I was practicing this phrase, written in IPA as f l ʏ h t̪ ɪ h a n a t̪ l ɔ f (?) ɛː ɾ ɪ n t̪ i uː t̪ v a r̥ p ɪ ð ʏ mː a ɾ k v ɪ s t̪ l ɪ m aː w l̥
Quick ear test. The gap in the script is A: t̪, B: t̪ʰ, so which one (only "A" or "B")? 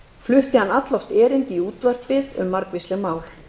A